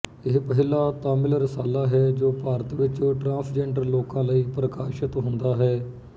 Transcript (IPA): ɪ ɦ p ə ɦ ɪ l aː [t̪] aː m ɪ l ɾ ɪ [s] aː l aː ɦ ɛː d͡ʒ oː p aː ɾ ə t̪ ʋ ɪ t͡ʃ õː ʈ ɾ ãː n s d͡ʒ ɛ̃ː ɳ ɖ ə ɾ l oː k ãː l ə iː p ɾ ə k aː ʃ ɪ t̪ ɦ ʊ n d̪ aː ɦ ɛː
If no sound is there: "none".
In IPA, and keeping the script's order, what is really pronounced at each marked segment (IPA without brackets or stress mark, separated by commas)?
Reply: t̪, s